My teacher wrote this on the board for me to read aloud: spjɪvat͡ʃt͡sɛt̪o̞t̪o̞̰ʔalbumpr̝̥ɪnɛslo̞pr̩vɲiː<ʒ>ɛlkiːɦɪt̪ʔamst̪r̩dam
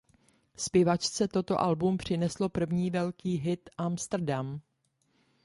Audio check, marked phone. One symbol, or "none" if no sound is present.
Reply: v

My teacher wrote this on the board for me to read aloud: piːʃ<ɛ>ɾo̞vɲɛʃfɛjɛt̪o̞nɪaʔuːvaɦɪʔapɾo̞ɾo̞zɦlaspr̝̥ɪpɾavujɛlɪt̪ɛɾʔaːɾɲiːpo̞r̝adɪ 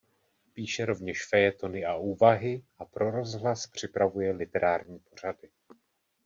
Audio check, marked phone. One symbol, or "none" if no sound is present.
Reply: ɛ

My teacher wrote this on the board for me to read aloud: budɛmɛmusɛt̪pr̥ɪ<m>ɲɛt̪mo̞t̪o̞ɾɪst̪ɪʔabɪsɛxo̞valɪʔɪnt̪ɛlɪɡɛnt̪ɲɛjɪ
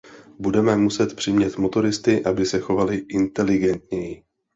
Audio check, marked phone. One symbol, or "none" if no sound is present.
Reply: m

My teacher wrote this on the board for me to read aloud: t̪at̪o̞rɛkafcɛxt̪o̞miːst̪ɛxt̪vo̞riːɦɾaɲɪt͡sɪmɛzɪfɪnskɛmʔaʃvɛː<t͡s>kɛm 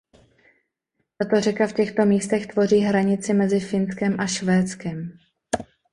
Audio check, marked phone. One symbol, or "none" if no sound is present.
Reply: t͡s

